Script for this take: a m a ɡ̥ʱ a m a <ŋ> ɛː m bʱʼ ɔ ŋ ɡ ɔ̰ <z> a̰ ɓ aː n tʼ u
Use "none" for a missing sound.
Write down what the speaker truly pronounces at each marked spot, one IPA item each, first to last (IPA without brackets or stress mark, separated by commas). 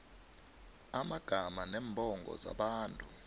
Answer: n, z